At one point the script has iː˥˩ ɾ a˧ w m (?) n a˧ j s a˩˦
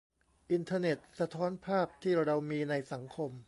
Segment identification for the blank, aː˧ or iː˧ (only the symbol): iː˧